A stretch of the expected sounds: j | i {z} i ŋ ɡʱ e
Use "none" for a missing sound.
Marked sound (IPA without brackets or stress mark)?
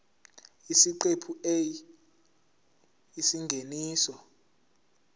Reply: s